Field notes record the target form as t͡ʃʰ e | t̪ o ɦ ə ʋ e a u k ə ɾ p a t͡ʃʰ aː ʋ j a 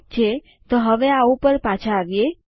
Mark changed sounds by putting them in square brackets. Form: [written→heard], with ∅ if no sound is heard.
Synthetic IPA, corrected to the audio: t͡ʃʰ e | t̪ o ɦ ə ʋ e a u [k→p] ə ɾ p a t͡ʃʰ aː ʋ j [a→e]